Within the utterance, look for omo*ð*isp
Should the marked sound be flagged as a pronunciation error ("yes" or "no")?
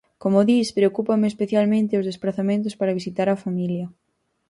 no